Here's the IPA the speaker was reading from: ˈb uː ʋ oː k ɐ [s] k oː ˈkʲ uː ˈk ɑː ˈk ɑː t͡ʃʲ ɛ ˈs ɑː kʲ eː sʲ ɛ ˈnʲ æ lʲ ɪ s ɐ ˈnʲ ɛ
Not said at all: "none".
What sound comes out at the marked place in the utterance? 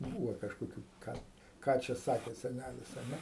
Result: ʃ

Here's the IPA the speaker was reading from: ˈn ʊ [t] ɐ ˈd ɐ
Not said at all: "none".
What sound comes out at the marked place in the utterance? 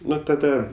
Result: t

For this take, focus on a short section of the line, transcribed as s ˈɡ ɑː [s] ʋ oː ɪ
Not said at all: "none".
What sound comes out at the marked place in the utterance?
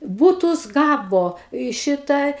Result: none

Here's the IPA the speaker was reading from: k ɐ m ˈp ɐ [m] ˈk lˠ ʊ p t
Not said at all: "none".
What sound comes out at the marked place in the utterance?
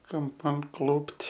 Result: n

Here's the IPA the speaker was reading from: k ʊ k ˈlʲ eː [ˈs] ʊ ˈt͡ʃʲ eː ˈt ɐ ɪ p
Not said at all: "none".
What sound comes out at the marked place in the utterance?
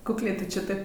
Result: t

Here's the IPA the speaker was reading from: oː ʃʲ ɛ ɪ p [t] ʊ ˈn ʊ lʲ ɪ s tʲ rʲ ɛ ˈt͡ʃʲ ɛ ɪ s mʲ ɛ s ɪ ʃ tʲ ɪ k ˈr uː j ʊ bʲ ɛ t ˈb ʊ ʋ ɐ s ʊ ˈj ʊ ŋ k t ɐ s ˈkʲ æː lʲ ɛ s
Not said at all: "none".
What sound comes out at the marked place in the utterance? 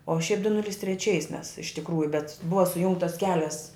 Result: d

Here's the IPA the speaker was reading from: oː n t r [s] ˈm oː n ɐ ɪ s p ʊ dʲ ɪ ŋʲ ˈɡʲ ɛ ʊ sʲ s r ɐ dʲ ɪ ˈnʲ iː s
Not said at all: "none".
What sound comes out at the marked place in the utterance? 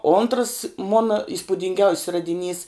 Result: s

